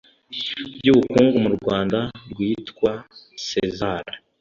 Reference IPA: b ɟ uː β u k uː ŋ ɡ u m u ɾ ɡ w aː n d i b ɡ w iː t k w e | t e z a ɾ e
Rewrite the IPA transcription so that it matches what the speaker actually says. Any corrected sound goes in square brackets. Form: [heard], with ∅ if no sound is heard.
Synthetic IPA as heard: b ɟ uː β u k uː ŋ ɡ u m u ɾ ɡ w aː n d [a] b ɡ w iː t k w [a] | [s] e z a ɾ [a]